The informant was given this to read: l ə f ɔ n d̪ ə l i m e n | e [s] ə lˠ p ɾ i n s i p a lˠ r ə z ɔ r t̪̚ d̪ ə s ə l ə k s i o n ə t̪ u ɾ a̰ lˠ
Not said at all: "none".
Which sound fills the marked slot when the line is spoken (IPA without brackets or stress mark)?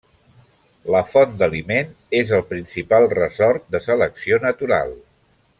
z